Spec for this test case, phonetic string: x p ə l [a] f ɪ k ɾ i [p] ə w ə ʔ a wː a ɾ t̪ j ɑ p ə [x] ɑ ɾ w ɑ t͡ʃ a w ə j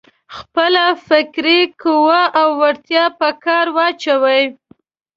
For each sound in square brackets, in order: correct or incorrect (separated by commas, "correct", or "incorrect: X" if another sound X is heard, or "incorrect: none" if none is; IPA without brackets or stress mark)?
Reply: correct, incorrect: k, incorrect: k